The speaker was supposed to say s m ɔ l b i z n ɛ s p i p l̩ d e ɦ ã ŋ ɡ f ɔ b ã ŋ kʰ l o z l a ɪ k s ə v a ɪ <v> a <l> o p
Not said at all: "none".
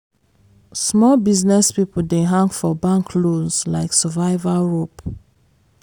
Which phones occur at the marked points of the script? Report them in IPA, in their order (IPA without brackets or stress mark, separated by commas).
v, ɹ